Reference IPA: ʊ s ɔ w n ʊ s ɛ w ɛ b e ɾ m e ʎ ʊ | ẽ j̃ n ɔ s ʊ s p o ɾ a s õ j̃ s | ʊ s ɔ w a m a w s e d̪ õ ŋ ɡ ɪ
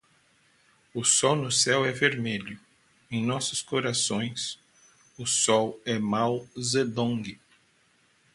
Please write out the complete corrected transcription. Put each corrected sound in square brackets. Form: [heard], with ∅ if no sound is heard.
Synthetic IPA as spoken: ʊ s ɔ w n ʊ s ɛ w ɛ [v] e ɾ m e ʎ ʊ | ẽ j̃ n ɔ s ʊ s [k] o ɾ a s õ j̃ s | ʊ s ɔ w [ɛ] m a w [z] e d̪ õ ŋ ɡ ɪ